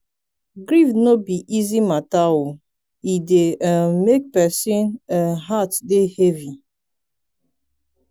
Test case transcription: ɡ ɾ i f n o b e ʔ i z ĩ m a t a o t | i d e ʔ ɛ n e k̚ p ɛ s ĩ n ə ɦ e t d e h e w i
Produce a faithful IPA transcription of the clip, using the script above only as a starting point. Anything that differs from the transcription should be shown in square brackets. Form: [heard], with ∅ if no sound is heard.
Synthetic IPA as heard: ɡ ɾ i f n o b [i] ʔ i z [i] m a t a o [∅] | i d e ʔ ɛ [m] e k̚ p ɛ s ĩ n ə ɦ [a] t d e h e [v] i